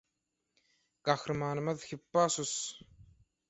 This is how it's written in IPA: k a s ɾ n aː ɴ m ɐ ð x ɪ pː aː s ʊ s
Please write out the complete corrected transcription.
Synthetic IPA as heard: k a x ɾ m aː n m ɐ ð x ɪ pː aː s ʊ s